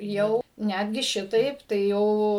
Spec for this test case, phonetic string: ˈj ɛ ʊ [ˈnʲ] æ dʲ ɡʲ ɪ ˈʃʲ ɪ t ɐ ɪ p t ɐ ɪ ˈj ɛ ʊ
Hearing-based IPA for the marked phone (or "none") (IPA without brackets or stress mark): nʲ